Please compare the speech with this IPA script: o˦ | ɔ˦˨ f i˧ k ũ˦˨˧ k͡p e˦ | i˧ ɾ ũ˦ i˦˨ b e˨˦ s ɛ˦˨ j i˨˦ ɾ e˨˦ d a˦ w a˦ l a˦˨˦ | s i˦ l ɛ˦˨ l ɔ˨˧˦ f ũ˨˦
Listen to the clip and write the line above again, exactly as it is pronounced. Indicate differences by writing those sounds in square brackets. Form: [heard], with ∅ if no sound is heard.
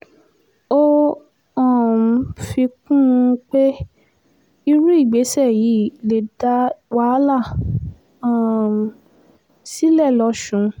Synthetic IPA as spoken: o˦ | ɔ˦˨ f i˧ k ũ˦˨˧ k͡p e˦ | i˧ ɾ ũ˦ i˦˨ [ɡ͡b] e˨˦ s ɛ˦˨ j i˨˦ [l] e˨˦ d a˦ w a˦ l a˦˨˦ | s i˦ l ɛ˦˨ l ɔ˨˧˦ [ʃ] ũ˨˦